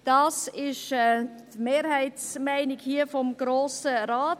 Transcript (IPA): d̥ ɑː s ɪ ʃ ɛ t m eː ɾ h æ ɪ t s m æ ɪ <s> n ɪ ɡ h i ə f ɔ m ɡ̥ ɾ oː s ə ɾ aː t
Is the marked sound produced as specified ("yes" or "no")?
no